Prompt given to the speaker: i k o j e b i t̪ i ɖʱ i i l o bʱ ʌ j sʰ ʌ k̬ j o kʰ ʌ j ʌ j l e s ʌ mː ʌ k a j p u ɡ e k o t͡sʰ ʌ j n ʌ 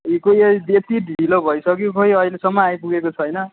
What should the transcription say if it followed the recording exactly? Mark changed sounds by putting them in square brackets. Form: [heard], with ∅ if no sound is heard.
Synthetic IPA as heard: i k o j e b [e] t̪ i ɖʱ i i l o bʱ ʌ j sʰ ʌ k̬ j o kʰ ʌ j ʌ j l e s ʌ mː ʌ [∅] a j p u ɡ e k o t͡sʰ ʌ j n ʌ